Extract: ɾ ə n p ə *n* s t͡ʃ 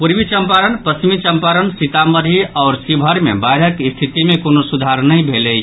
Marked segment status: incorrect: none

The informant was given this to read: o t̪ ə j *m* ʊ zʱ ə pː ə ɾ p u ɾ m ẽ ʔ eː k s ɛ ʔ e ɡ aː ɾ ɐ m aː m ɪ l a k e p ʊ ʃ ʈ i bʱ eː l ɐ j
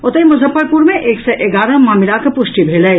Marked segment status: correct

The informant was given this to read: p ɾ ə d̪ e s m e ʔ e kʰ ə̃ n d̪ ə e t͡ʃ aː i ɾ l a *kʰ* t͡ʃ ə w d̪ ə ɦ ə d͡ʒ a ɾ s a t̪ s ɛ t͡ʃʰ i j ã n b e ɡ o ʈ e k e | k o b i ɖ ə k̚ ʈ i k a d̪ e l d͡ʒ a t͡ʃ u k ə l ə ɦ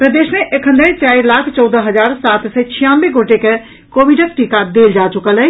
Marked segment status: correct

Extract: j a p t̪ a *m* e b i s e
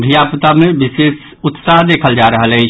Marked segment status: correct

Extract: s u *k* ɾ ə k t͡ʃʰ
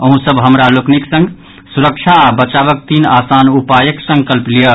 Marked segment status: incorrect: none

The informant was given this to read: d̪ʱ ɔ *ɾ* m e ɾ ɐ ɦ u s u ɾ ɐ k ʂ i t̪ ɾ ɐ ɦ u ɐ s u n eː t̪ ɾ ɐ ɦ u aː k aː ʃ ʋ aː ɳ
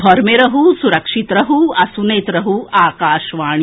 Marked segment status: correct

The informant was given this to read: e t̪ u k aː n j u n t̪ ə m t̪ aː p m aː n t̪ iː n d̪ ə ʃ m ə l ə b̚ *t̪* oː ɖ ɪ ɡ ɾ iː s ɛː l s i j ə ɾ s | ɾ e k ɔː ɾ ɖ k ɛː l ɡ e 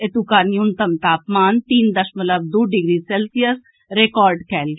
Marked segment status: incorrect: d̪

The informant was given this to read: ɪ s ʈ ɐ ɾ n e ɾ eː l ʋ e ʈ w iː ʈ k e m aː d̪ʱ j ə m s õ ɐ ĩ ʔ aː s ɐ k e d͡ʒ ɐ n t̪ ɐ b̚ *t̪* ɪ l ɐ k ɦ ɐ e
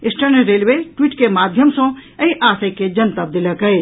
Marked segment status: incorrect: d̪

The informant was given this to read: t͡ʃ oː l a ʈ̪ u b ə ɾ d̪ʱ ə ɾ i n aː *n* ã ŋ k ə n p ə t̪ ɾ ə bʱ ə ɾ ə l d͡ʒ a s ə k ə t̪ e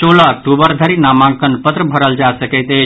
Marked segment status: incorrect: m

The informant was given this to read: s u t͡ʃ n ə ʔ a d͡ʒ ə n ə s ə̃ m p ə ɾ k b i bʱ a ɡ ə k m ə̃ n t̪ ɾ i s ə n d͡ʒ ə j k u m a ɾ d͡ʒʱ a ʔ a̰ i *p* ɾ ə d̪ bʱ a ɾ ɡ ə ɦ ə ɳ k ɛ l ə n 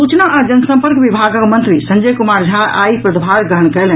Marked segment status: correct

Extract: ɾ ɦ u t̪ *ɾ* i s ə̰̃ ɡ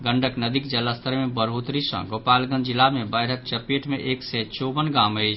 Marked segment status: correct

